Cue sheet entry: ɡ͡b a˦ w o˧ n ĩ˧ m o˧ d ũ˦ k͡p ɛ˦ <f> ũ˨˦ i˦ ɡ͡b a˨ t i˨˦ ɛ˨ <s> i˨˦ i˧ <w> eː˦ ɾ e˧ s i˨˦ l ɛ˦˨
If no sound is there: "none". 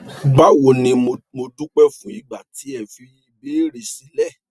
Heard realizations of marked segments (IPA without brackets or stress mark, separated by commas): f, f, b